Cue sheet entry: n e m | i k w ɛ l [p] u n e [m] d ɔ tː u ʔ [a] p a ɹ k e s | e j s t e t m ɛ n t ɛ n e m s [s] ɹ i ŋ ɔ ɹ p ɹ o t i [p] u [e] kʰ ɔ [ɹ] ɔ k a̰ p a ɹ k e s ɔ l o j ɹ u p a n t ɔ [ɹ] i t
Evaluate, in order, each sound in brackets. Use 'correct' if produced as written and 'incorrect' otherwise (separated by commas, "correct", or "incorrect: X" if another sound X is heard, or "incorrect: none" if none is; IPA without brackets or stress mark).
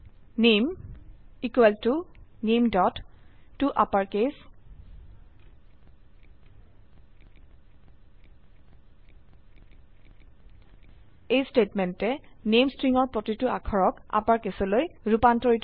incorrect: t, correct, correct, incorrect: t, incorrect: t, incorrect: a, correct, correct